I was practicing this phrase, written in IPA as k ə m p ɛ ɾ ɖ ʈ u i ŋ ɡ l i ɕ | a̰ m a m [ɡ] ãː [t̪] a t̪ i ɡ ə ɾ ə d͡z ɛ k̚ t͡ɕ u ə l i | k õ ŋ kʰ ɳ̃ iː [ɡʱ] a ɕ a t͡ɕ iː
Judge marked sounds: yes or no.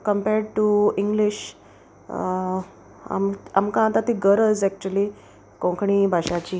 no, yes, no

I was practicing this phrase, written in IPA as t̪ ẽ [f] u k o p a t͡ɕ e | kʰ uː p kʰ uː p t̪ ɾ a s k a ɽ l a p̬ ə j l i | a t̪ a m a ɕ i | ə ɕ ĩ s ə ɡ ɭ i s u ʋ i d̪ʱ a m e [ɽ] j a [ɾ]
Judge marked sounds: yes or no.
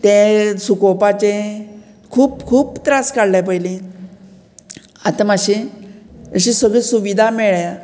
no, no, no

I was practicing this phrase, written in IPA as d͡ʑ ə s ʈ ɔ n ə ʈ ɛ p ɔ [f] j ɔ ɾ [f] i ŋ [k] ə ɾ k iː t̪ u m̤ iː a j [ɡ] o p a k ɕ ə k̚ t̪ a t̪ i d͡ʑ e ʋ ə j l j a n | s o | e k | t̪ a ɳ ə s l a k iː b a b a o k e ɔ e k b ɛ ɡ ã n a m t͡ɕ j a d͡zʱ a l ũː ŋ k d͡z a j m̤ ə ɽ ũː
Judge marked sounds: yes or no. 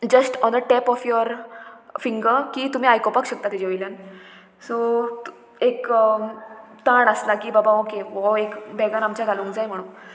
yes, yes, no, no

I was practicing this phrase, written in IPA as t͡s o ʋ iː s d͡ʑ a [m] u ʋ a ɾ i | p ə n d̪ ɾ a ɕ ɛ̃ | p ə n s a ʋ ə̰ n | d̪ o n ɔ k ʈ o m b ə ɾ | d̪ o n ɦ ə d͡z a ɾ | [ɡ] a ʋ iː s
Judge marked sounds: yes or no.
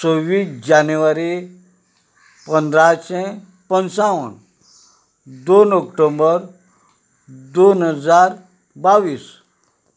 no, no

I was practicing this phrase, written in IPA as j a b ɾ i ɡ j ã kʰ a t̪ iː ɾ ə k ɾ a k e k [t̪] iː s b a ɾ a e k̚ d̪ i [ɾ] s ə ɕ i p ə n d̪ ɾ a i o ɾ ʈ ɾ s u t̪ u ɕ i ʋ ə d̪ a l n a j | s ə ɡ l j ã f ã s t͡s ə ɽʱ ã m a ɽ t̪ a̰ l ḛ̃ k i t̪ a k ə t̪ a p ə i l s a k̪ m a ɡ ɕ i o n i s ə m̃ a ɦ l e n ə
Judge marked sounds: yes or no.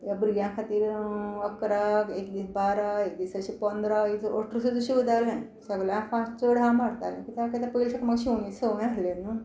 no, no

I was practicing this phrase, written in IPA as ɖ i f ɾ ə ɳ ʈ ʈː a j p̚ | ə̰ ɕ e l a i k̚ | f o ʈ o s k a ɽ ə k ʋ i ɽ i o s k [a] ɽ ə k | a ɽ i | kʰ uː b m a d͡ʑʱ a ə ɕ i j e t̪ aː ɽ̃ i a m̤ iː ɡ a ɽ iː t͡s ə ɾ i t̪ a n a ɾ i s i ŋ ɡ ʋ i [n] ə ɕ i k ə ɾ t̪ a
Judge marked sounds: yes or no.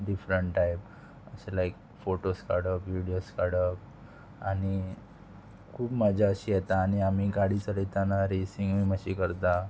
yes, no

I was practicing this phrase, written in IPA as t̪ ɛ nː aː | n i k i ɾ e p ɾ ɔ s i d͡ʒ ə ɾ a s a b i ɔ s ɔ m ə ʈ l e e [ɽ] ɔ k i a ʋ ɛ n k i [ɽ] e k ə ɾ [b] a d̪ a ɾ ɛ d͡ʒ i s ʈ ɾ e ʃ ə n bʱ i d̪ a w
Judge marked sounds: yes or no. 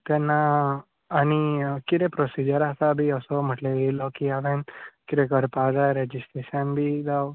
no, no, no

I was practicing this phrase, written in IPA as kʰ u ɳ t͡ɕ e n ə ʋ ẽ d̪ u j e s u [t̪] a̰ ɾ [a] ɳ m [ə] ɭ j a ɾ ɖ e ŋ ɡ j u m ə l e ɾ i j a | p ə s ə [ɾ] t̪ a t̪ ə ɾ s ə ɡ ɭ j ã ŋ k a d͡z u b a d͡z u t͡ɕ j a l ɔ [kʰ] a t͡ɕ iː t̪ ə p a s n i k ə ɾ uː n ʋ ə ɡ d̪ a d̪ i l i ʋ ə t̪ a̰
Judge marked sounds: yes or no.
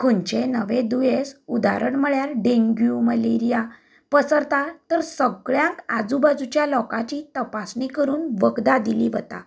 no, no, yes, yes, no

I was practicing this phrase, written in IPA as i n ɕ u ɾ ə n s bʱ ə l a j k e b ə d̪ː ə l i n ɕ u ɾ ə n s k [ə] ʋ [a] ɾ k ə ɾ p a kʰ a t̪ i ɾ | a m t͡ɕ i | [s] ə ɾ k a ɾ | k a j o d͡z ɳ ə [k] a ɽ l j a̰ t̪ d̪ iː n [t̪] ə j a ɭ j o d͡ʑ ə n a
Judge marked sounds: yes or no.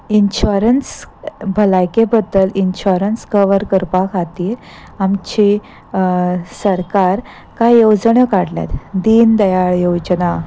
yes, no, yes, yes, no

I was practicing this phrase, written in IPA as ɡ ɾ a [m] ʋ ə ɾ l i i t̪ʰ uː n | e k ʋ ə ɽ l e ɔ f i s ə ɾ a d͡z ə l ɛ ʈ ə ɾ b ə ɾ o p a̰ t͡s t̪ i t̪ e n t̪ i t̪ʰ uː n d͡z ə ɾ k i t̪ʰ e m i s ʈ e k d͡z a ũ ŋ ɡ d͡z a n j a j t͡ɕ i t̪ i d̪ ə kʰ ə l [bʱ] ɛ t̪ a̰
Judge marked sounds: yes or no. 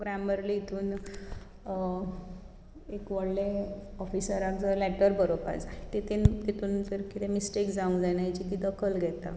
yes, no

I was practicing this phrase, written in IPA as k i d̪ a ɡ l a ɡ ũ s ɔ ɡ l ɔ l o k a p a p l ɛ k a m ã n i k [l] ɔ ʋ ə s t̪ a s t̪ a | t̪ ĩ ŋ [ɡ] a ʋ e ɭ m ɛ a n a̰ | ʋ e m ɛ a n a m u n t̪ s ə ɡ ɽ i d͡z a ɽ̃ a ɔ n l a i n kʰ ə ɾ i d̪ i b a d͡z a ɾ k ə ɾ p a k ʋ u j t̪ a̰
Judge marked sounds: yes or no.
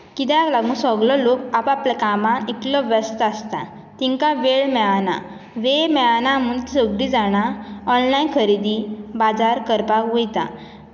yes, no

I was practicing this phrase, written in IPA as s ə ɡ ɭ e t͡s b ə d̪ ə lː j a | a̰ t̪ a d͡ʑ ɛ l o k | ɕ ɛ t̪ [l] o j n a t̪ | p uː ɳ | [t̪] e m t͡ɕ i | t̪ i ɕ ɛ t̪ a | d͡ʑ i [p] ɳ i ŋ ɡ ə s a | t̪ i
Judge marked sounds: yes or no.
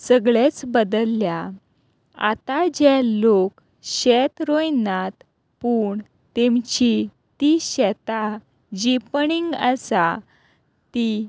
no, yes, yes

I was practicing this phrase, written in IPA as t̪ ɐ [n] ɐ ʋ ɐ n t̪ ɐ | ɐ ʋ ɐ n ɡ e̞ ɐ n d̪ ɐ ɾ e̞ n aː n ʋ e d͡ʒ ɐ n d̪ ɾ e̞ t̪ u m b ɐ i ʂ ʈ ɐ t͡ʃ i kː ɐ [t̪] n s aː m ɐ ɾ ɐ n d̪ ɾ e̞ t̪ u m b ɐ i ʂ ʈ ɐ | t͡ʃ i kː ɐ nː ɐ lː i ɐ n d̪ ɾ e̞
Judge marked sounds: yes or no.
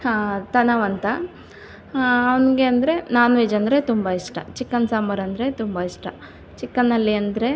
yes, no

